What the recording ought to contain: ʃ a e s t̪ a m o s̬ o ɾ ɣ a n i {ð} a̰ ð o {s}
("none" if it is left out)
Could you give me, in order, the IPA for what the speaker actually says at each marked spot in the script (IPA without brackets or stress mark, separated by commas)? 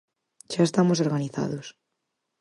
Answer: θ, s